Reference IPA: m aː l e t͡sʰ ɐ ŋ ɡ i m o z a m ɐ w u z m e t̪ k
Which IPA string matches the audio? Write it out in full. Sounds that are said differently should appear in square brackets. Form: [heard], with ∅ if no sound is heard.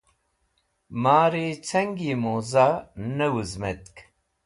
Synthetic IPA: m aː [ɾ] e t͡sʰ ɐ ŋ ɡ i m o z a [n] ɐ w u z m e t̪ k